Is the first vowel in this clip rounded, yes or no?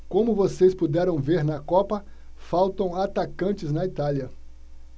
yes